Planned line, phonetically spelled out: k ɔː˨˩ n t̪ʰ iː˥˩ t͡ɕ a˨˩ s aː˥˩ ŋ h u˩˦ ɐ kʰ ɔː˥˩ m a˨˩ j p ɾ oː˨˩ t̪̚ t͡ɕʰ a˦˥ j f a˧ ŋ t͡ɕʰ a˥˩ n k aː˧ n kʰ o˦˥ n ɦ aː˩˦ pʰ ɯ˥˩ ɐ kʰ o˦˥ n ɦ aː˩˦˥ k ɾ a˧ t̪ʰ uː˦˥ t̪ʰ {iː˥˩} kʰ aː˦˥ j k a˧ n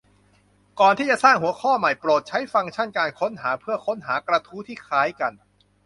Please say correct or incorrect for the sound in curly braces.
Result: correct